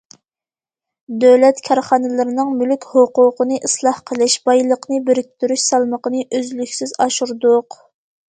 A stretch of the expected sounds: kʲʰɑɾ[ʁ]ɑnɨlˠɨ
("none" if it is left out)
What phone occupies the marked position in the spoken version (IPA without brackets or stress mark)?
χ